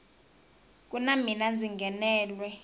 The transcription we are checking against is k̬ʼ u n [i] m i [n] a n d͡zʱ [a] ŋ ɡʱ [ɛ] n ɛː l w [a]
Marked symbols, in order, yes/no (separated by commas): no, yes, no, yes, no